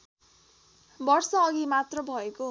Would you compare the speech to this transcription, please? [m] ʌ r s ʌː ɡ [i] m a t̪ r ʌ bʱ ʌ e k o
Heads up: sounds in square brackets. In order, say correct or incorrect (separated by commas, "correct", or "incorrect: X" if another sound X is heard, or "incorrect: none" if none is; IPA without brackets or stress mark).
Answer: incorrect: b, correct